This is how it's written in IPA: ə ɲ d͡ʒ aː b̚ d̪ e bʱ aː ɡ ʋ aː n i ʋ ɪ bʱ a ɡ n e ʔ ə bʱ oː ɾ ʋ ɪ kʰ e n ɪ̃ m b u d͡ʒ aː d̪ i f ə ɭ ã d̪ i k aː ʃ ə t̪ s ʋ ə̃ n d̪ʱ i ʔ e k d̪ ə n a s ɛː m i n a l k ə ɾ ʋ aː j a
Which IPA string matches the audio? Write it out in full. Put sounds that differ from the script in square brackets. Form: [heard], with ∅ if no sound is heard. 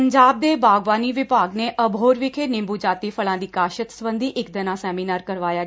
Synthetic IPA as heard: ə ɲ d͡ʒ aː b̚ d̪ e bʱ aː ɡ ʋ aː n i ʋ ɪ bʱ a ɡ n e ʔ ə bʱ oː ɾ ʋ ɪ kʰ e n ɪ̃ m b u d͡ʒ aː [t̪] i f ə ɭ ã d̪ i k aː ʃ ə t̪ s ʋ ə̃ n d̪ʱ i ʔ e k d̪ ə n a s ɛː m i n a [ɾ] k ə ɾ ʋ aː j a